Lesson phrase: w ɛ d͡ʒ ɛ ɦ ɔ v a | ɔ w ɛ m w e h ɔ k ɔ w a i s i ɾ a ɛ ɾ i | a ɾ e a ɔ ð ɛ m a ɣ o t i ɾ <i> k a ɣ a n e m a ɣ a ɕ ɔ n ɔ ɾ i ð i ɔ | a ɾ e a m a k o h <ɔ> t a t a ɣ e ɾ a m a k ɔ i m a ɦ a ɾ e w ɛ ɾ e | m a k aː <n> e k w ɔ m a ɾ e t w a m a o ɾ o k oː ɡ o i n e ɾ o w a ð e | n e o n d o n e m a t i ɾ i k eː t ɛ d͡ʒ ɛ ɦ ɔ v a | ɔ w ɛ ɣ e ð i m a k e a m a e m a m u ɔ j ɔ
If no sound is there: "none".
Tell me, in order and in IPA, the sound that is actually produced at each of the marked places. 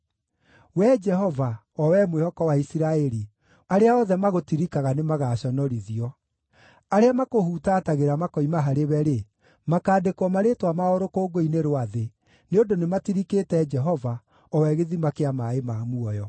i, u, d

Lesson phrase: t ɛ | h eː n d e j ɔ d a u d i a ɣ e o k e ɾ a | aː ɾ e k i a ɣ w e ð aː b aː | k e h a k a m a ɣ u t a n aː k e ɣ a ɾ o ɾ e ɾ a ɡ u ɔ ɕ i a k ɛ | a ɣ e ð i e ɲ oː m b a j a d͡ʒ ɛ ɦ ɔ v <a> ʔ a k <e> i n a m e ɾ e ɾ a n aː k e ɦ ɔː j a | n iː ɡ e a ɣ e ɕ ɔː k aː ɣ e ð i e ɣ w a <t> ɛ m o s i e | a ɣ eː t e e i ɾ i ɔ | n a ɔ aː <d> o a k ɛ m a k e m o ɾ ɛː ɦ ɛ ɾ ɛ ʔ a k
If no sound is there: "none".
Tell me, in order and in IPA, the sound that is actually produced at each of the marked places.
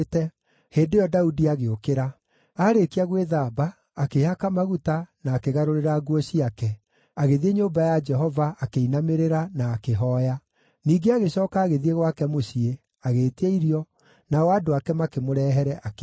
a, e, k, d

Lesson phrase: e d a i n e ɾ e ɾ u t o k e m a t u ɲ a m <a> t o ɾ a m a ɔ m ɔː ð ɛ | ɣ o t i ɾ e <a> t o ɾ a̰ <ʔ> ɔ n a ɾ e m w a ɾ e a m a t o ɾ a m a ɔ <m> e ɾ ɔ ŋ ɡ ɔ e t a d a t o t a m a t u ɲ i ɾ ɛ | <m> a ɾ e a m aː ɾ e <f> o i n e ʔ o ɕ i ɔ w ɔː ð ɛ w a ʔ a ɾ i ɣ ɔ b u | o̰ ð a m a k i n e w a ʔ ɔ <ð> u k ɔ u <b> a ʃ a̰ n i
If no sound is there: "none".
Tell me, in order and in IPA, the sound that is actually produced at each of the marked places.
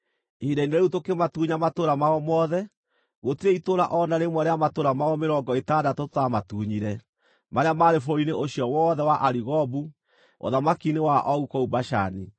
a, i, ʔ, m, m, f, ɣ, b

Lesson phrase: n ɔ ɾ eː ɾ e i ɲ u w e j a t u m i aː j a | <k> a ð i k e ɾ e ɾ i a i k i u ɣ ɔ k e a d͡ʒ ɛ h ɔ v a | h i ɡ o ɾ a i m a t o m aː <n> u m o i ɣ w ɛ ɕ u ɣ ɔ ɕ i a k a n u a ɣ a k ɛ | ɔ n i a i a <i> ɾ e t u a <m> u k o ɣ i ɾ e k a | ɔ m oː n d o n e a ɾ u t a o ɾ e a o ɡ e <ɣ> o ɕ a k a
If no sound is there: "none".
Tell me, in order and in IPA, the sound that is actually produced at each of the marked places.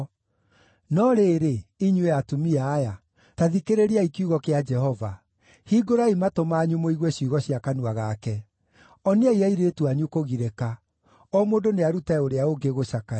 t, ɲ, i, ɲ, ɣ

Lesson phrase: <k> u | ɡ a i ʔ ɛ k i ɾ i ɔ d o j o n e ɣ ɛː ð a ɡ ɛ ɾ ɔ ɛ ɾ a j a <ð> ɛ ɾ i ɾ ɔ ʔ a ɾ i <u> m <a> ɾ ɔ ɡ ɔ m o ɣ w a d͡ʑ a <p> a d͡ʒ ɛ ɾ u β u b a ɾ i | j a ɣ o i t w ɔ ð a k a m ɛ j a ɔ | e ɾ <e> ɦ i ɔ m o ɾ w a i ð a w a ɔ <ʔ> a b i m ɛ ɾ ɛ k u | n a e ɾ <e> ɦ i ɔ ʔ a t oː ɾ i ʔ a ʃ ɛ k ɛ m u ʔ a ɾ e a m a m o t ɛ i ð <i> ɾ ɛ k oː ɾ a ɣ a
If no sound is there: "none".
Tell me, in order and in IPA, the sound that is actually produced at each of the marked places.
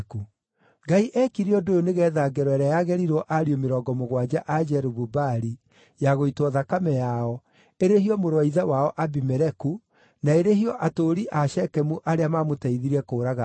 k, ɣ, o, e, ʔ, e, ʔ, e, i

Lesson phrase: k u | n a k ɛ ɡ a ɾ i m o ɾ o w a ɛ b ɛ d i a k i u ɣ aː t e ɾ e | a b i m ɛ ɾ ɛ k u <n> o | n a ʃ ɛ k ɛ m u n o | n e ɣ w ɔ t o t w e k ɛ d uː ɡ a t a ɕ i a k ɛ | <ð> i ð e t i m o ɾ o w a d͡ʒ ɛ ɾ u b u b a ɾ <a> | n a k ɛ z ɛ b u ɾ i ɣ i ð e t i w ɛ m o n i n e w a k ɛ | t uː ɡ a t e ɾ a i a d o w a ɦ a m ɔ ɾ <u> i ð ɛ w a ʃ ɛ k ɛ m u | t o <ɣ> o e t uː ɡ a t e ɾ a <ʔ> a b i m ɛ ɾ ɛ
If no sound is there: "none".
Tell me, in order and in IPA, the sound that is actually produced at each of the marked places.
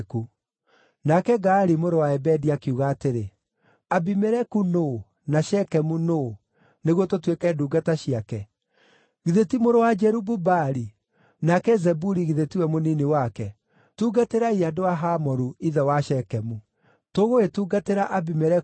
n, ɣ, i, u, ɣ, ʔ

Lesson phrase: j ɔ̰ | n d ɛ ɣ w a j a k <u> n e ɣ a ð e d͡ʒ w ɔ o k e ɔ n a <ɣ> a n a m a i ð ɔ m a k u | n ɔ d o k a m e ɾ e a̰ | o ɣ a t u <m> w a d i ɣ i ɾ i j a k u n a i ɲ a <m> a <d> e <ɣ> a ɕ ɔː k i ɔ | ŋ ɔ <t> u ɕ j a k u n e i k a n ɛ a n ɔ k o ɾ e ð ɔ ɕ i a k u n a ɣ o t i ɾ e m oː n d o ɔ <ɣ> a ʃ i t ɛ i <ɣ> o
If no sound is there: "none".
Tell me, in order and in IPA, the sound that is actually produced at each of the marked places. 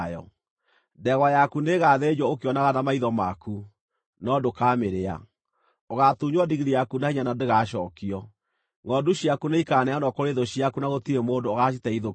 u, ɣ, ɲ, n, d, ɣ, d, ɣ, ð

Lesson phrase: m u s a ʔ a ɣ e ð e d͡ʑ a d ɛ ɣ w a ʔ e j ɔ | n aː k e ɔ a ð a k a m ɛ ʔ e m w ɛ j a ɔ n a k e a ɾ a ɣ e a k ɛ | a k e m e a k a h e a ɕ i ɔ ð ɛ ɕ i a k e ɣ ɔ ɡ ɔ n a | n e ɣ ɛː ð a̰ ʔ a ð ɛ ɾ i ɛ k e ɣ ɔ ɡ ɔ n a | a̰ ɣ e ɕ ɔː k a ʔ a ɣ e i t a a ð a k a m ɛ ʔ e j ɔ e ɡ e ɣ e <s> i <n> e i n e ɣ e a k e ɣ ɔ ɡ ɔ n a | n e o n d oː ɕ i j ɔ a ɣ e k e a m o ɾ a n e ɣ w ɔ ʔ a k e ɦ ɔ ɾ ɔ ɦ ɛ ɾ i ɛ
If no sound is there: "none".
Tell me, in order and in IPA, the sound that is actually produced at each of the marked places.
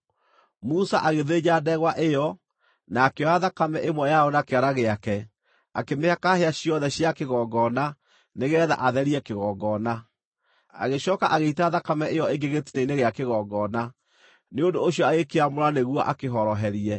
t, n

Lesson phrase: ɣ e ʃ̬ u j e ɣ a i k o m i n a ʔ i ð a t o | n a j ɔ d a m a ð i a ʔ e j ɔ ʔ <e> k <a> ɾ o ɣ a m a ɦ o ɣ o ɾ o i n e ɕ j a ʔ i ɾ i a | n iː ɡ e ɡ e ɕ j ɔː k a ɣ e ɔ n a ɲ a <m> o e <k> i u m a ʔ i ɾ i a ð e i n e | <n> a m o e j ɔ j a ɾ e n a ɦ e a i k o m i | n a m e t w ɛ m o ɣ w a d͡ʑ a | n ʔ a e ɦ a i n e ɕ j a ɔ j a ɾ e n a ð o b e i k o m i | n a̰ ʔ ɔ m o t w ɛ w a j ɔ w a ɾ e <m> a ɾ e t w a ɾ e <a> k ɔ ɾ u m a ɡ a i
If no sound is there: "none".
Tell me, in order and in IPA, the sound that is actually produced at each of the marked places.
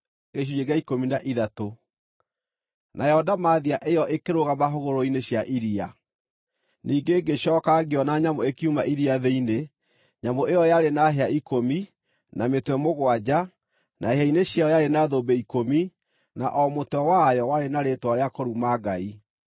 e, e, m, k, ɲ, n, a

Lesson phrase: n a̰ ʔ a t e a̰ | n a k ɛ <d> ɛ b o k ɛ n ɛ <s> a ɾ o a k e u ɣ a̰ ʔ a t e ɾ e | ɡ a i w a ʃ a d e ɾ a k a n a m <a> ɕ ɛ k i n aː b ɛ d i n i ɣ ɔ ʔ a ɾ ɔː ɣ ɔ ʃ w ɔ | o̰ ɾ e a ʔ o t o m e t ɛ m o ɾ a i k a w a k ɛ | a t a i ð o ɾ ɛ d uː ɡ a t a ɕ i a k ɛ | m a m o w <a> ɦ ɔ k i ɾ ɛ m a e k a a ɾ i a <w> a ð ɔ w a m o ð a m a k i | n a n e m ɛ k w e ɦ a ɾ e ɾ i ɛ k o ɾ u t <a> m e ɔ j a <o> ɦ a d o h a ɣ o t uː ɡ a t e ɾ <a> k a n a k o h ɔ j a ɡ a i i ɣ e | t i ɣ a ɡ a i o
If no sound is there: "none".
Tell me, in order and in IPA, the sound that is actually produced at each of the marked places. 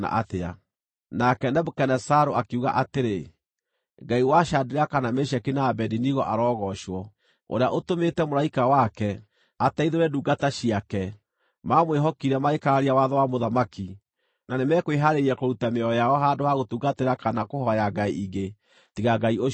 n, s, e, e, w, a, ɔ, a

